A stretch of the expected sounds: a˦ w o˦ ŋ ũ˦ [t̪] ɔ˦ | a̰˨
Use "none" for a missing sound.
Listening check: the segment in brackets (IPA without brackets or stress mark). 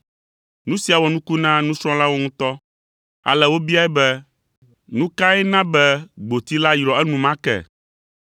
t̪